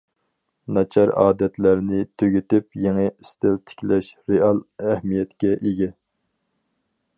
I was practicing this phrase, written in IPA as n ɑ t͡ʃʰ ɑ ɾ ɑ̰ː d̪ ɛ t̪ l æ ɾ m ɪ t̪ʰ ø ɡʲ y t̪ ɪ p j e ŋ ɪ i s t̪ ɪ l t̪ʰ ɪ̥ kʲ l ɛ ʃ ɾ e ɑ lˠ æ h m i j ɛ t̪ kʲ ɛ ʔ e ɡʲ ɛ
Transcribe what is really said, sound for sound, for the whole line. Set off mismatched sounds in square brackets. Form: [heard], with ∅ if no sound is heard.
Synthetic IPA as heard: n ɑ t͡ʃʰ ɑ ɾ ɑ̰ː d̪ ɛ t̪ l æ ɾ [n] ɪ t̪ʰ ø ɡʲ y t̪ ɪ p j e ŋ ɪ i s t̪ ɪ l t̪ʰ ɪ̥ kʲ l ɛ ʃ ɾ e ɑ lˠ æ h m i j ɛ t̪ kʲ ɛ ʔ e ɡʲ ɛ